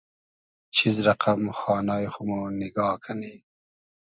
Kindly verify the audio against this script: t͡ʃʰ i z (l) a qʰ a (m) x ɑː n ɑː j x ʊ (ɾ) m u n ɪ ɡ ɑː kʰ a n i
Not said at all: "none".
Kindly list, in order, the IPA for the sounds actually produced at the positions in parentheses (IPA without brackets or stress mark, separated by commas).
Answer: ɾ, m, none